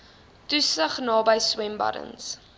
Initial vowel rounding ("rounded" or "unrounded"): rounded